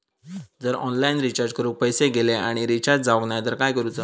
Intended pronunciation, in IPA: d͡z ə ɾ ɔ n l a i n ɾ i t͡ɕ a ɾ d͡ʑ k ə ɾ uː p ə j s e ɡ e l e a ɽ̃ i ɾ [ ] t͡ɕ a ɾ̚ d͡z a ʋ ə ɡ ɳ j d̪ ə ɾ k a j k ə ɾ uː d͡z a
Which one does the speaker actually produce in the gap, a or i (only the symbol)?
i